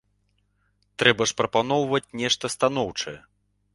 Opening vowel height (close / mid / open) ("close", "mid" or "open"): mid